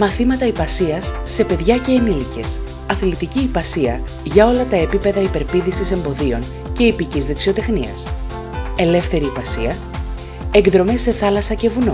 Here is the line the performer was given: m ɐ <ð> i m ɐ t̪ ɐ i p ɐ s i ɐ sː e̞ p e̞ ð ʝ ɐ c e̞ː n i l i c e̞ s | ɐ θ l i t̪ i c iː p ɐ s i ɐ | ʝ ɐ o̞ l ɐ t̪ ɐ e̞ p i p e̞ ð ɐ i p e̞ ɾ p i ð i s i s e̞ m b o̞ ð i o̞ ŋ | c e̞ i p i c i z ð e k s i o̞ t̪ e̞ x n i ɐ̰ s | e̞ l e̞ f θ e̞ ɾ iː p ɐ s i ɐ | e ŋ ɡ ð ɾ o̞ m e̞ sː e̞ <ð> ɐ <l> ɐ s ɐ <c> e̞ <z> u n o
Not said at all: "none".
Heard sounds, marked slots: θ, θ, l, c, v

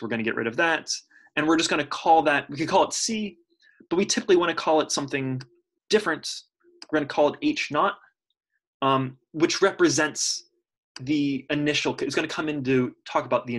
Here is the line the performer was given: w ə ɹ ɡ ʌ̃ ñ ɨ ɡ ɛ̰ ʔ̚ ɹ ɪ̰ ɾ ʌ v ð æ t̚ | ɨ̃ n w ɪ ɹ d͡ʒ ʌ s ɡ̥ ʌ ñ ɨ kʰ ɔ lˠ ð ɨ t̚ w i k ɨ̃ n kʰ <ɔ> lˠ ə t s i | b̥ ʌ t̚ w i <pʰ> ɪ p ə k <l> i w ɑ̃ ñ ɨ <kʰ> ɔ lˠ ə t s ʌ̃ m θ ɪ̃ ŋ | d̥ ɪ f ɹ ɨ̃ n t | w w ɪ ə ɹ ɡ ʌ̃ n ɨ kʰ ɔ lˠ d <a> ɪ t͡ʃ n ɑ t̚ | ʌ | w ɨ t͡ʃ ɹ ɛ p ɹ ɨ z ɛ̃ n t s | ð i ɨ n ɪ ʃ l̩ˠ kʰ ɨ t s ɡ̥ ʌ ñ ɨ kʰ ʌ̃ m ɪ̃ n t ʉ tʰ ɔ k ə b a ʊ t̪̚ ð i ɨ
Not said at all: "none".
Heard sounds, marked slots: ɔ, tʰ, l, kʰ, e

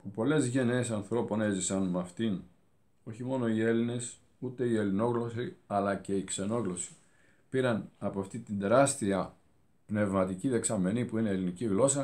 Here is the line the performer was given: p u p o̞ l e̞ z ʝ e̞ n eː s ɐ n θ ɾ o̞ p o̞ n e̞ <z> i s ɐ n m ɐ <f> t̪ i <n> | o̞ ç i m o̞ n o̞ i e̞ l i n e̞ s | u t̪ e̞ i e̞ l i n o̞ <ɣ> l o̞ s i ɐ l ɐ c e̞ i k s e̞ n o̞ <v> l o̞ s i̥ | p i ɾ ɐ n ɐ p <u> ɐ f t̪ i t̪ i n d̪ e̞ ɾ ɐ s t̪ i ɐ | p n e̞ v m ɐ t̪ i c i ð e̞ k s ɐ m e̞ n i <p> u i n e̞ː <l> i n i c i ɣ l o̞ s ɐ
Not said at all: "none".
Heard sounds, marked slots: z, f, n, ɣ, ɣ, o, p, l

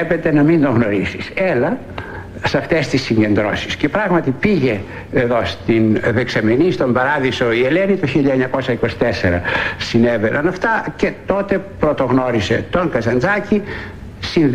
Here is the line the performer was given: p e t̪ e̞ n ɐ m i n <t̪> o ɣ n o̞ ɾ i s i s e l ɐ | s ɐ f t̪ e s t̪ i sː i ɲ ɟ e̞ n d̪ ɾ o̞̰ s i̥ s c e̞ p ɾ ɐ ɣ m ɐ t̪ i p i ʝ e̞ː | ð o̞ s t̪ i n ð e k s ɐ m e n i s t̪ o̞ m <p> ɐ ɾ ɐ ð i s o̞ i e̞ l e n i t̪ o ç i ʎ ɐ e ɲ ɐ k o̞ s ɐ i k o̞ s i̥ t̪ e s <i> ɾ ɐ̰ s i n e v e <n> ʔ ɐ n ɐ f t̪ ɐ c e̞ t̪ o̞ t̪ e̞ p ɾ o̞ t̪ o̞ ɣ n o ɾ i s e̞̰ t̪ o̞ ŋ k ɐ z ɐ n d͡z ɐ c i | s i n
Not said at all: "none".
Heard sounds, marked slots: d̪, b, e, n

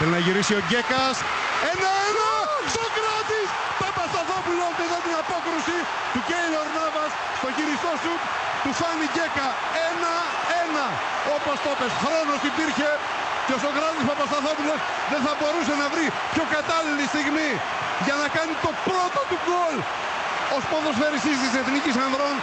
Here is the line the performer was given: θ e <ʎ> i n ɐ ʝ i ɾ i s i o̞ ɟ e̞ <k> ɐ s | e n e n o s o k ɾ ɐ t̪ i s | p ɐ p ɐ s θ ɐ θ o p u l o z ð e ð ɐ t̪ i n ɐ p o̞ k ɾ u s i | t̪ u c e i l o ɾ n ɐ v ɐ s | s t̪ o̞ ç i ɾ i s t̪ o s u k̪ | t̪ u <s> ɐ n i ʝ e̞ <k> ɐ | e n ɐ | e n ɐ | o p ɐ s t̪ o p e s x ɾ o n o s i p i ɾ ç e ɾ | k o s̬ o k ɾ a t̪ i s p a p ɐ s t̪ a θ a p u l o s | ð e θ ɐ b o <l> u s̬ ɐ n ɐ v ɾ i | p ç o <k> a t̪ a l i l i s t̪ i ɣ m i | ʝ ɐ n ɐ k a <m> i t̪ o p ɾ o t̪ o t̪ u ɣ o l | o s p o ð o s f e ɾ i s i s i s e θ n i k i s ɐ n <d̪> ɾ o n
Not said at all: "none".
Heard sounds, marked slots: l, k, f, k, ɾ, k, n, d̪

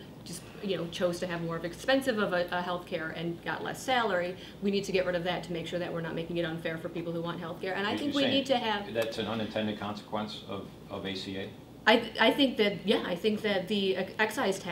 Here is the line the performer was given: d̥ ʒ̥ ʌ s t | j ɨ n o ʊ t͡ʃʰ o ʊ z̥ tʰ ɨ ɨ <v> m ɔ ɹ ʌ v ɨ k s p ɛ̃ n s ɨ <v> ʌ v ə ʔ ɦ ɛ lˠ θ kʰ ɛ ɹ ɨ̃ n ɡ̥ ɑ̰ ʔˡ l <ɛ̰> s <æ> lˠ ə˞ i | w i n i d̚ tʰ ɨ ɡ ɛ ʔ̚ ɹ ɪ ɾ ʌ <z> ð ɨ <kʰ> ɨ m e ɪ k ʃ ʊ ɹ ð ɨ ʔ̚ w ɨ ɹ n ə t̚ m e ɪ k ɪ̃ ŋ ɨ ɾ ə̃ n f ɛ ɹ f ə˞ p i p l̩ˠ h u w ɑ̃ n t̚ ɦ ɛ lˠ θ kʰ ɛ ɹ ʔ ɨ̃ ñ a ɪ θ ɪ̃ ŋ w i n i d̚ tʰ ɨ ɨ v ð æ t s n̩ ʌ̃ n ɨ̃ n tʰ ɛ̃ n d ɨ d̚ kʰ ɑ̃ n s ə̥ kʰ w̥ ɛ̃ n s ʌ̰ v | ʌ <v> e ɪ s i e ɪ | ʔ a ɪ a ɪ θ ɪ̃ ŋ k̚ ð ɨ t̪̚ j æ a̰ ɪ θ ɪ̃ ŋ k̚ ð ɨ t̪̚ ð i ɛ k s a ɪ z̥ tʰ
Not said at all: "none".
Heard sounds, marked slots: v, v, ɛ̰, æ, v, tʰ, v

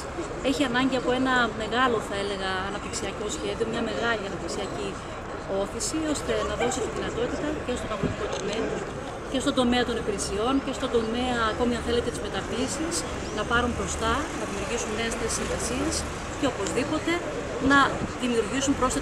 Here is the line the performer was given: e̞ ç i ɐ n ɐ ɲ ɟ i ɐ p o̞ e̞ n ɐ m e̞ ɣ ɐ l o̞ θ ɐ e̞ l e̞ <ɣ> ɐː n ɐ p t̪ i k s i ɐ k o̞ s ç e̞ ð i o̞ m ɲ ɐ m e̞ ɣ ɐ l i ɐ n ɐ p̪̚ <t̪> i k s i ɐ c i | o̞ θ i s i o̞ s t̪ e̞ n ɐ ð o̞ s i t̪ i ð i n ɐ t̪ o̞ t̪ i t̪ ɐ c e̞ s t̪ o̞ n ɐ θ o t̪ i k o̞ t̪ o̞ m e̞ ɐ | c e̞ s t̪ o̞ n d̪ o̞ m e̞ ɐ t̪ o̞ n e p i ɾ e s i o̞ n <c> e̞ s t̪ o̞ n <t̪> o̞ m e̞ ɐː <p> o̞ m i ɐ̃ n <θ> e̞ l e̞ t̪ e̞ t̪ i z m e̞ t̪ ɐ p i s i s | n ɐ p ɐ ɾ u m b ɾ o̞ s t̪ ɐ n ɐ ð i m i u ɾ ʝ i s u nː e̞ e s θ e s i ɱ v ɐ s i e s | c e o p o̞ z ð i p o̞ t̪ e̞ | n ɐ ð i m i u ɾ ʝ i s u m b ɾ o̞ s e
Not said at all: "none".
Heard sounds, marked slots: ɣ, t̪, c, d̪, k, θ

